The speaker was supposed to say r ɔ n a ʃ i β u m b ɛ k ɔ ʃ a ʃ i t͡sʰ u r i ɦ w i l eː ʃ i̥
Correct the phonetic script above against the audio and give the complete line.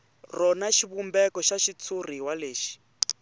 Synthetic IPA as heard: r ɔ n a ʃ i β u m b ɛ k ɔ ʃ a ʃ i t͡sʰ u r i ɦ w a l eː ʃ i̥